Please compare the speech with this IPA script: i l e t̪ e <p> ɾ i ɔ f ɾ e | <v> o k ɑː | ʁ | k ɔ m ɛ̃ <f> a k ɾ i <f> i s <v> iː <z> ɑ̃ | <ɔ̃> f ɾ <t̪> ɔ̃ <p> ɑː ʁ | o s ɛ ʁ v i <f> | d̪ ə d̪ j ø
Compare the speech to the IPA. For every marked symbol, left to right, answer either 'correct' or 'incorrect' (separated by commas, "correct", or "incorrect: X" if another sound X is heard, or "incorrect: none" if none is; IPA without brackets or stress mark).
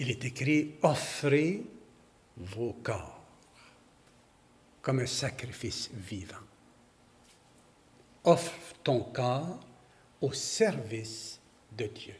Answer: incorrect: k, correct, incorrect: s, correct, correct, incorrect: v, incorrect: ɔ, correct, incorrect: k, incorrect: s